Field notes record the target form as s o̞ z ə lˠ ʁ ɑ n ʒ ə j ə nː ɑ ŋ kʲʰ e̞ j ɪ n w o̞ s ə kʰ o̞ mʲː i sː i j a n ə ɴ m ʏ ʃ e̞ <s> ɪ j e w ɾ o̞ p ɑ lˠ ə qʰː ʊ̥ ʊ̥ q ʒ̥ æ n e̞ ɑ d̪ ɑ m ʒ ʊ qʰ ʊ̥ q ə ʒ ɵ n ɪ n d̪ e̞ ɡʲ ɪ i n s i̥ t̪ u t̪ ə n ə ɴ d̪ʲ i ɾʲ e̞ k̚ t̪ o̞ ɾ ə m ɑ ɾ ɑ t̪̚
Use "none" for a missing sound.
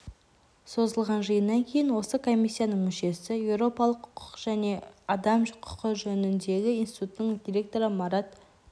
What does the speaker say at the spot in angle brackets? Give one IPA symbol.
s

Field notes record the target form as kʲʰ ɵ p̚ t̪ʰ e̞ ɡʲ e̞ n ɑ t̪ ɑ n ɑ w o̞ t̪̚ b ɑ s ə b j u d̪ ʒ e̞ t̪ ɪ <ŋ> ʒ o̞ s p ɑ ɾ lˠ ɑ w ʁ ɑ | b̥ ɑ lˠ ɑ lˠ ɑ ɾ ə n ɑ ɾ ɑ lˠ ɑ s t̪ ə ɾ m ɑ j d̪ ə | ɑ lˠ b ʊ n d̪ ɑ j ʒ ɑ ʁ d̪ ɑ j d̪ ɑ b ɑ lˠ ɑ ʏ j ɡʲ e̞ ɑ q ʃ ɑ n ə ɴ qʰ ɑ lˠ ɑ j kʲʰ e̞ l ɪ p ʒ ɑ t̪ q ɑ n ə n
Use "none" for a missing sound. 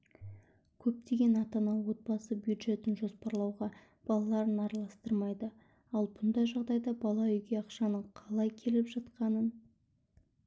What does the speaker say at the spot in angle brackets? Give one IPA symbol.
n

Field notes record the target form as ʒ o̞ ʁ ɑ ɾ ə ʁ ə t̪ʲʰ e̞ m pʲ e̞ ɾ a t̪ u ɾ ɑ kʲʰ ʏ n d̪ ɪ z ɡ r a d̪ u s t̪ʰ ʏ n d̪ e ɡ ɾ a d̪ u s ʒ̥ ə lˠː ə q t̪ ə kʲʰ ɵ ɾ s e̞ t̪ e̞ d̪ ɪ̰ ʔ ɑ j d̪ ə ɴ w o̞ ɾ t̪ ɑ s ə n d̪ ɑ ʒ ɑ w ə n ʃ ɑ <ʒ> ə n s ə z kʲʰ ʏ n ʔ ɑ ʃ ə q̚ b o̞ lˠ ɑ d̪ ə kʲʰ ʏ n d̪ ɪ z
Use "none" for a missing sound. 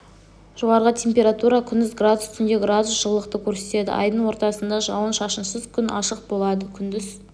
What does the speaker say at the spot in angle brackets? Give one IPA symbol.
ʃ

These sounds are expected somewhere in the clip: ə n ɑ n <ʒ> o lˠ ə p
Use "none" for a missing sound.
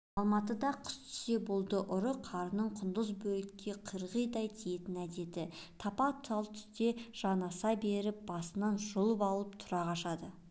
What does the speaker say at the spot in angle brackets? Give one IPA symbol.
ʒ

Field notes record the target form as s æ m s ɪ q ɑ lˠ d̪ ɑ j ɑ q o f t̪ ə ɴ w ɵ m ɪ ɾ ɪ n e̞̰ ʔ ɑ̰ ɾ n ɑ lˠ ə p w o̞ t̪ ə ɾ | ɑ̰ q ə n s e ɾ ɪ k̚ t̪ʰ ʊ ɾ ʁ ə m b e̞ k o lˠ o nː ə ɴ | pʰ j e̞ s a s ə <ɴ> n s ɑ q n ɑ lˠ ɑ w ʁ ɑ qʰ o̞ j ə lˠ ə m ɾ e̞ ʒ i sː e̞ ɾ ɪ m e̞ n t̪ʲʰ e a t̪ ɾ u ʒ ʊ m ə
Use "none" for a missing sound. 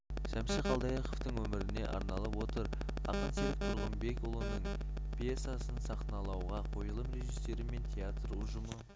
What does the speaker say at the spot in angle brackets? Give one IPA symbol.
none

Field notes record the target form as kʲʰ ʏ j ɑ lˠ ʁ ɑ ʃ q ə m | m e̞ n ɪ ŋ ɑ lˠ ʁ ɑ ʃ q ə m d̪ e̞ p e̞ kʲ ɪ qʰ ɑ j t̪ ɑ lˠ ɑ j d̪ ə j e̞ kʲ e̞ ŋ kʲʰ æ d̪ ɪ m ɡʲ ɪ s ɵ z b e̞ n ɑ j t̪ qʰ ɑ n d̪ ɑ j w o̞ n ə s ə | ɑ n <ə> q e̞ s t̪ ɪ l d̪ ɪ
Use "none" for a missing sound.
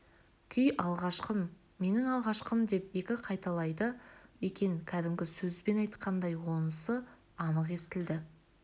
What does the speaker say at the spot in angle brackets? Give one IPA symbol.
ə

